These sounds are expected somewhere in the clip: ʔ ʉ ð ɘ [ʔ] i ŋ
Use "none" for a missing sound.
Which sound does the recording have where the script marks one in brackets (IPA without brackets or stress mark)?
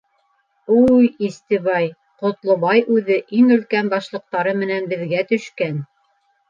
ʔ